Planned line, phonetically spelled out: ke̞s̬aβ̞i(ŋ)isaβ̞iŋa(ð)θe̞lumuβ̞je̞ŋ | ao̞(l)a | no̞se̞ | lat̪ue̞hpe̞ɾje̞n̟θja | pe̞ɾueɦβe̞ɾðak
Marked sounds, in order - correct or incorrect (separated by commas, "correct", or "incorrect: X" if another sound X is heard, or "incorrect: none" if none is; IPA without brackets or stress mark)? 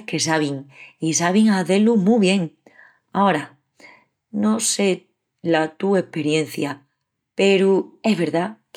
correct, incorrect: none, incorrect: ɾ